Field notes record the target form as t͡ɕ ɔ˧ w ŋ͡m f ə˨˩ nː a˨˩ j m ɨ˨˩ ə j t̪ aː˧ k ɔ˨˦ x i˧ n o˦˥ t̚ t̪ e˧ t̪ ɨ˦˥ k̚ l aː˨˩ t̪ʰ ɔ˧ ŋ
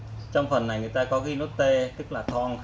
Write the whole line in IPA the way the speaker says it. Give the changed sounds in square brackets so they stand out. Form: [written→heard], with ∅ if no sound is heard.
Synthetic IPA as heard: t͡ɕ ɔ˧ w ŋ͡m f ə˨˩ nː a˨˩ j [m→ŋ] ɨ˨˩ ə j t̪ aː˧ k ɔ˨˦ [x→ɣ] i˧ n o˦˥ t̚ t̪ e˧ t̪ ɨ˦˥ k̚ l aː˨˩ t̪ʰ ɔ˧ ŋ